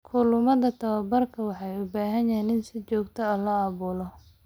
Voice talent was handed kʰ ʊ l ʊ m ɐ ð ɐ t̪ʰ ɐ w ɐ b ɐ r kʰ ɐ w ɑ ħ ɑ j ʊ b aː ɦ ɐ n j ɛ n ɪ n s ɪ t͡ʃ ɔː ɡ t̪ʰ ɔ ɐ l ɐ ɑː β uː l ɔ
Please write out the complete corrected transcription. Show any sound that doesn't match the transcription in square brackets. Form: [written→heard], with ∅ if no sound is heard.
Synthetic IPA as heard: kʰ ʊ l ʊ m ɐ ð ɐ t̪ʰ ɐ w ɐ b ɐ r kʰ ɐ w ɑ ħ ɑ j ʊ b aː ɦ ɐ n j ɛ n ɪ n s ɪ t͡ʃ ɔː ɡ t̪ʰ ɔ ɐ l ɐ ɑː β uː l ɔ